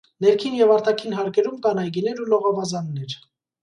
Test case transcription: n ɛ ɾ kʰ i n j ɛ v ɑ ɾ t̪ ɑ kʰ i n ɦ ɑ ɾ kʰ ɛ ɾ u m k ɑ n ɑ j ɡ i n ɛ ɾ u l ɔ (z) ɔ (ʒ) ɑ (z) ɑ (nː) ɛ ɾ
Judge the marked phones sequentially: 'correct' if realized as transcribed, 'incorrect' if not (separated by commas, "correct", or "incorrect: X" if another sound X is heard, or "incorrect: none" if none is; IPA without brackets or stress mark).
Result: incorrect: ʁ, incorrect: v, correct, correct